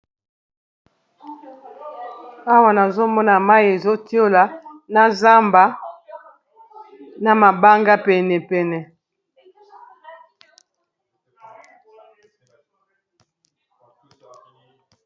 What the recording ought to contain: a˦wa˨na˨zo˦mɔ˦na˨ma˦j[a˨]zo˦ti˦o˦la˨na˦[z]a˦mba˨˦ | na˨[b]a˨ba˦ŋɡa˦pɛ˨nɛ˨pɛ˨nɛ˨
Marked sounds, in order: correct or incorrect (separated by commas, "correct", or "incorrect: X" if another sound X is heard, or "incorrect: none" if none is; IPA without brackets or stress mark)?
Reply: incorrect: e˨, correct, incorrect: m